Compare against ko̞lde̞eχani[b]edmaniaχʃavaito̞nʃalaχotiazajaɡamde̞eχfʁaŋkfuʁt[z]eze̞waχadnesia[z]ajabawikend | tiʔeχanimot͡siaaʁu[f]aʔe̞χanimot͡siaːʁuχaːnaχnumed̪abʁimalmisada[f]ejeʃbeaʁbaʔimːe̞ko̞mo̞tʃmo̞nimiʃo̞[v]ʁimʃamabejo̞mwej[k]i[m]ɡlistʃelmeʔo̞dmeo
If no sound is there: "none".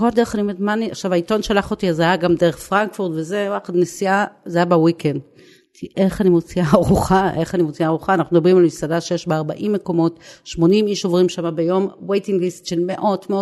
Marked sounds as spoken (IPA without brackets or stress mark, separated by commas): m, v, z, χ, ʃ, v, t, ŋ